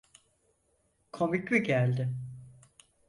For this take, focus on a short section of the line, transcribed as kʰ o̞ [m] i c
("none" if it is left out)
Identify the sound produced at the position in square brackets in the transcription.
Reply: m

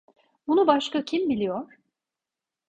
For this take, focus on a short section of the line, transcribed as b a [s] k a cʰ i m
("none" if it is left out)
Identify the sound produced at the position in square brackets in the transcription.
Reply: ʃ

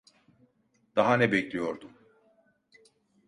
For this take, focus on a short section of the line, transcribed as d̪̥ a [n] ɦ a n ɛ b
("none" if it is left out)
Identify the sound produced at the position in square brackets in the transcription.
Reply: none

